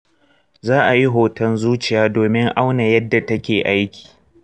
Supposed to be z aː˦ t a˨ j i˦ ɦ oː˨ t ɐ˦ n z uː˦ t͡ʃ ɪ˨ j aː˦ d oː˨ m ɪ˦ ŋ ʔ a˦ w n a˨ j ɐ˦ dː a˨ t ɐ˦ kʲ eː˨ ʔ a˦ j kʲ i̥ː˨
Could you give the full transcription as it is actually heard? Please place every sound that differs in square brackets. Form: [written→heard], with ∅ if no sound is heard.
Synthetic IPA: z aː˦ [t→ʔ] a˨ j i˦ ɦ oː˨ t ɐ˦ n z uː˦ t͡ʃ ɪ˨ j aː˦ d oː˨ m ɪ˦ ŋ ʔ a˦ w n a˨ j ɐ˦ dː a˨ t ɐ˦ kʲ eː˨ ʔ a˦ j kʲ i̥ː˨